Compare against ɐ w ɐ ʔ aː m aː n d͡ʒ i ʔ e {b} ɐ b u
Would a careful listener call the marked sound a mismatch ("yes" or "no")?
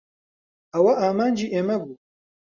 yes